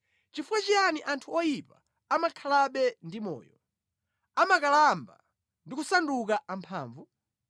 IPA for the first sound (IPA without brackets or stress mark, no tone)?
t͡ʃ